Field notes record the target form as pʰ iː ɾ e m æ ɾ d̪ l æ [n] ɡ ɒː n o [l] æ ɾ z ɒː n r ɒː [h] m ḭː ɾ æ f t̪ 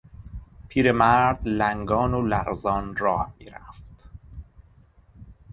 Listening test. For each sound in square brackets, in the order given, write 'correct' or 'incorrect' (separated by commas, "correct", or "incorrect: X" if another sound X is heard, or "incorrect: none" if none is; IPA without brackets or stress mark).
incorrect: ŋ, correct, correct